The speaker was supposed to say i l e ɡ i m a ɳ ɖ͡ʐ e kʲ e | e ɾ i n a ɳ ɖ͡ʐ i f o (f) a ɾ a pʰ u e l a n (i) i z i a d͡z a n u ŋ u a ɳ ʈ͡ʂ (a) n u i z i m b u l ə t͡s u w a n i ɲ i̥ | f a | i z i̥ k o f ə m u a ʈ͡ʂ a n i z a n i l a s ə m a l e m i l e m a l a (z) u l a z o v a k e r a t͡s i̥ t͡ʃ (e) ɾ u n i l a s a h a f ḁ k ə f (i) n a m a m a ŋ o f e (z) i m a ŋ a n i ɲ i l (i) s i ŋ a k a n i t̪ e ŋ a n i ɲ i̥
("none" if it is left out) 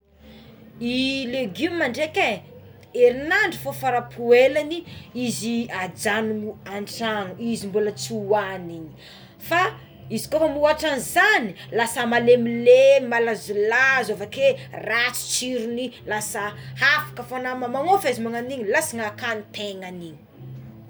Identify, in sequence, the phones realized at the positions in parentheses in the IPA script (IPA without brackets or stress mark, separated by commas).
f, i, a, z, i, a, z, a